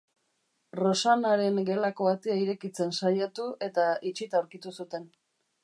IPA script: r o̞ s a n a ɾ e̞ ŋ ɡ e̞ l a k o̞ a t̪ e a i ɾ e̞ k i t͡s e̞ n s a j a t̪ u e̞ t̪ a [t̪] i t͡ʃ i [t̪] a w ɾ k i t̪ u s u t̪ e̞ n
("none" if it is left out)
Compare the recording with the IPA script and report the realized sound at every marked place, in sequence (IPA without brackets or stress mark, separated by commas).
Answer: none, t̪